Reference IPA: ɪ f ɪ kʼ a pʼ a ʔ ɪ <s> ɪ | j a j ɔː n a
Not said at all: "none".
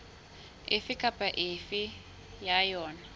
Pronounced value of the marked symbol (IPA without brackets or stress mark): f